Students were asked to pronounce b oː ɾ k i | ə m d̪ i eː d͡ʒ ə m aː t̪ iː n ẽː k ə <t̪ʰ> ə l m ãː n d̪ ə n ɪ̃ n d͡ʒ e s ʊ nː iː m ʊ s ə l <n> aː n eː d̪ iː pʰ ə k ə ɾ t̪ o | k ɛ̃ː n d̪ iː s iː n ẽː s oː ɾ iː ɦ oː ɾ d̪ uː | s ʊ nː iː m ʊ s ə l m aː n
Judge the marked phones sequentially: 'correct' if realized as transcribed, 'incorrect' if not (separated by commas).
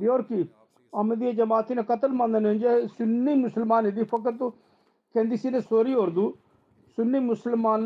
incorrect, incorrect